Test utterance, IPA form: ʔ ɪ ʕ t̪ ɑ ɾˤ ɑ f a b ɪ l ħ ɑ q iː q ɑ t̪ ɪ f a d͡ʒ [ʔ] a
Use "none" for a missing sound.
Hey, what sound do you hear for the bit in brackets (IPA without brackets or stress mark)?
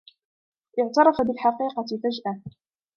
ʔ